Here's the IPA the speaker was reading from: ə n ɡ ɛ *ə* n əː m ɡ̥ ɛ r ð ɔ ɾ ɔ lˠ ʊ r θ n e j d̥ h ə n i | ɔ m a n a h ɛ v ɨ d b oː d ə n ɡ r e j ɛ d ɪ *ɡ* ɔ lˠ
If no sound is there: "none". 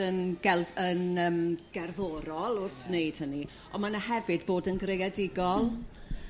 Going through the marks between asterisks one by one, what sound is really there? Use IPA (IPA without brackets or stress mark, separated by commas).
ə, ɡ